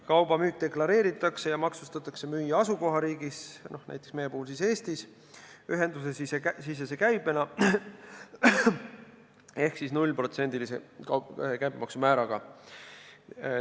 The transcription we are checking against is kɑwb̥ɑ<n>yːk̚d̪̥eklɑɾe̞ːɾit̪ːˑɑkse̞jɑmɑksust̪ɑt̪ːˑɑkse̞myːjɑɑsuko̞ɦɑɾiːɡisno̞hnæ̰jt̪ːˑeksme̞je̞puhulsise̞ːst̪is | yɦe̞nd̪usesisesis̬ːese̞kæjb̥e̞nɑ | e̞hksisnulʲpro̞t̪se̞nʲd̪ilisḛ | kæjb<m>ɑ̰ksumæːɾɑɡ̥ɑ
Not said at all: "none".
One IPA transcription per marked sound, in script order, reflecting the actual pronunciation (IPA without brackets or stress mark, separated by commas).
m, m